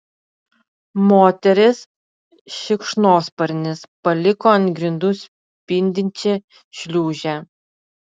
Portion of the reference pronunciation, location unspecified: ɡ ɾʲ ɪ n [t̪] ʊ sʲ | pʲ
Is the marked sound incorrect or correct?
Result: incorrect